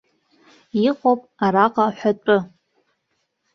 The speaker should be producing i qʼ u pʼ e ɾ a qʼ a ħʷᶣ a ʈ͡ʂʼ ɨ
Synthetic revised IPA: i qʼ o pʼ a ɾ a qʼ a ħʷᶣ a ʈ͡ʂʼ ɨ